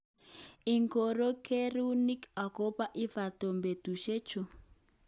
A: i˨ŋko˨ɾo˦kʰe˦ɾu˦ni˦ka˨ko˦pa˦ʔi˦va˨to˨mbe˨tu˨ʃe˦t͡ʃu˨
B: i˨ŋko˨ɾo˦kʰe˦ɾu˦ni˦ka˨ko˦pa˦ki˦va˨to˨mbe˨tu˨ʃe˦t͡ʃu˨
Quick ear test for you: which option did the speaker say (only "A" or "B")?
A